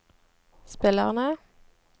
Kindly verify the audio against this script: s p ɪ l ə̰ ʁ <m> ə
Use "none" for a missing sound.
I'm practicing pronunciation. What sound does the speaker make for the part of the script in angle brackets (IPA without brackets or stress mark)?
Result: n